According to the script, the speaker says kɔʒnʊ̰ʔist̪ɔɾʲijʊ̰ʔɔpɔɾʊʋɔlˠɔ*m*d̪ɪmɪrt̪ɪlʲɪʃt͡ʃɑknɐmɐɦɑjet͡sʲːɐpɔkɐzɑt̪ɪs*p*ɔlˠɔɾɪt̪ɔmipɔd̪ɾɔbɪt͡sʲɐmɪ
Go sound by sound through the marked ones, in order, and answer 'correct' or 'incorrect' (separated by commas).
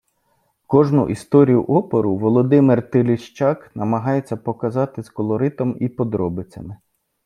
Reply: incorrect, incorrect